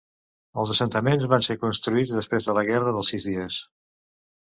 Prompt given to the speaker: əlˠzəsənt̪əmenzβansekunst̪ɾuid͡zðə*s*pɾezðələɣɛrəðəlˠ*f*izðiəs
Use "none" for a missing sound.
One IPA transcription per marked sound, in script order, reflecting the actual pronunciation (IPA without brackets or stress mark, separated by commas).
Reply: s, s